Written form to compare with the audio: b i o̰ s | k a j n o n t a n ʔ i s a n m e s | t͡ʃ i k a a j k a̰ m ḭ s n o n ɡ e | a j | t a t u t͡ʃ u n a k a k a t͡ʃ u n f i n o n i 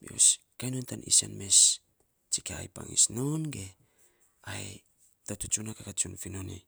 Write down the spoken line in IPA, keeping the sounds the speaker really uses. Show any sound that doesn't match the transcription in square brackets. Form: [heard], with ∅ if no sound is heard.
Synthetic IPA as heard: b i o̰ s | k a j n o n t a n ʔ i s a n m e s | t͡ʃ i k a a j [p] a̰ [ŋ] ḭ s n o n ɡ e | a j | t a t u t͡ʃ u n a k a k a t͡ʃ u n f i n o n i